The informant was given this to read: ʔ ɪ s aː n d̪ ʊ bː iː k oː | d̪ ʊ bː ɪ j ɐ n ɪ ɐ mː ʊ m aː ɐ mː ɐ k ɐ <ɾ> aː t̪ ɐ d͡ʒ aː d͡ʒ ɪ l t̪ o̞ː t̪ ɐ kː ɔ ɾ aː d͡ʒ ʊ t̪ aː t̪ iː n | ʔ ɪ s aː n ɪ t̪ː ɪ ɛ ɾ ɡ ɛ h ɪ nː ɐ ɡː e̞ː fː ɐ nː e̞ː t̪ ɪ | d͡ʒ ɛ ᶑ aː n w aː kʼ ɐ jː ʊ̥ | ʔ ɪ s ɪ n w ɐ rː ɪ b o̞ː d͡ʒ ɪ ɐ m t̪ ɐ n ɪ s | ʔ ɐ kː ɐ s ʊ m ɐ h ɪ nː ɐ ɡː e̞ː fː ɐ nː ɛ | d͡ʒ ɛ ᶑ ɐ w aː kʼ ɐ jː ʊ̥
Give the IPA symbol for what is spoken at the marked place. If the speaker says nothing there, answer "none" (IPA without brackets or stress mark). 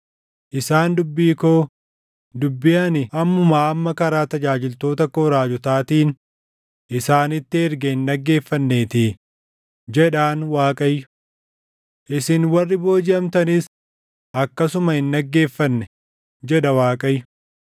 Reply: ɾ